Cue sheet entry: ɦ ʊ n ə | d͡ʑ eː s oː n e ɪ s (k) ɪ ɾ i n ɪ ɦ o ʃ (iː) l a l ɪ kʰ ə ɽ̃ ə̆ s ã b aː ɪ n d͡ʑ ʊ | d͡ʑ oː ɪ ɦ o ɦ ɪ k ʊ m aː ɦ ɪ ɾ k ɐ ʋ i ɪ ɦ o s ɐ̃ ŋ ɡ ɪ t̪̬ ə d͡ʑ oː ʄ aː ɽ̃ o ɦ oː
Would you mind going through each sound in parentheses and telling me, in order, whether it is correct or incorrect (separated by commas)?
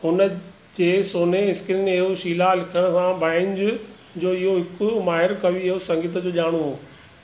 correct, correct